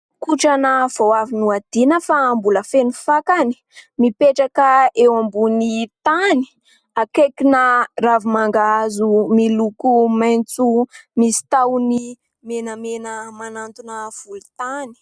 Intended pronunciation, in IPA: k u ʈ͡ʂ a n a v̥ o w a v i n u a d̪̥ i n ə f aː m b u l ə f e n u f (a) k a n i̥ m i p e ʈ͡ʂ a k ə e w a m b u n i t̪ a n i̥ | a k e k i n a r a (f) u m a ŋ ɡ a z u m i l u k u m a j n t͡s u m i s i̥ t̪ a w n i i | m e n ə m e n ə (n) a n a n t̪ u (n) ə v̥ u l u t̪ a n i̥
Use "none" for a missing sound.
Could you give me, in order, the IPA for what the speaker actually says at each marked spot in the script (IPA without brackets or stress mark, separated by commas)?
a, v, m, n